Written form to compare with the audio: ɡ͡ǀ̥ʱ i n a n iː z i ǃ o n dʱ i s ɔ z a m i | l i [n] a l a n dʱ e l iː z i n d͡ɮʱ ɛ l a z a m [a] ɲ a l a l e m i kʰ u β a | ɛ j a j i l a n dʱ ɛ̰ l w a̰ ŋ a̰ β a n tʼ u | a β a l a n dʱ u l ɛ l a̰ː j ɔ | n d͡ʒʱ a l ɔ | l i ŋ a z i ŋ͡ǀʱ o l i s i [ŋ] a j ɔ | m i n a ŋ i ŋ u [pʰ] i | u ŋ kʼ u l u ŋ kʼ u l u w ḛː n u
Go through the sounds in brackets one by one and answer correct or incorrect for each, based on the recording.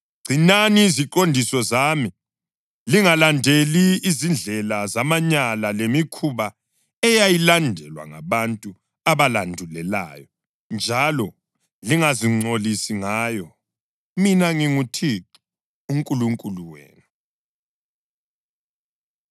incorrect: ŋ, correct, correct, incorrect: tʰ

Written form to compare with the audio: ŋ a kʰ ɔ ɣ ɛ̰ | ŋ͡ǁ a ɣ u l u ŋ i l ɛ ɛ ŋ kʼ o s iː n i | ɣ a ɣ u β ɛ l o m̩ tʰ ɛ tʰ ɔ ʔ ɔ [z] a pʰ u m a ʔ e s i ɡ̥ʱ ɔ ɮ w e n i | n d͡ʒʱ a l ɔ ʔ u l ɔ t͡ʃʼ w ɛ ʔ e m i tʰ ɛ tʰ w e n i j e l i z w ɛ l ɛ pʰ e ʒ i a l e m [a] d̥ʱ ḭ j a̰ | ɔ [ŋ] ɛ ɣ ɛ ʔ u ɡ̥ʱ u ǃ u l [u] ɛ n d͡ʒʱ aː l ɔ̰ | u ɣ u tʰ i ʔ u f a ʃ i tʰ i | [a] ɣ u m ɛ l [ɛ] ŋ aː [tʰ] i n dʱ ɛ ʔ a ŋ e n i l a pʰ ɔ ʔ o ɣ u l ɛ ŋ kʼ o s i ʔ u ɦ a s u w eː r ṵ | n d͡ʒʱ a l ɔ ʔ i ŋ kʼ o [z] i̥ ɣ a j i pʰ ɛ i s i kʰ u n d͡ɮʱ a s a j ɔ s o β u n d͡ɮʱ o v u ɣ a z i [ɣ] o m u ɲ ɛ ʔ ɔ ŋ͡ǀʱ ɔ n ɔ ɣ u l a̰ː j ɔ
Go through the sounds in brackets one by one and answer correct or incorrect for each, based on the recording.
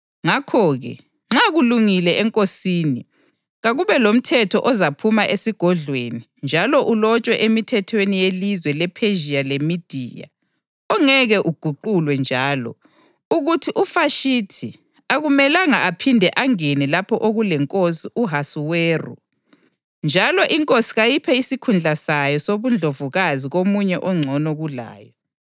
correct, incorrect: i, correct, incorrect: w, correct, incorrect: a, incorrect: pʰ, incorrect: s, correct

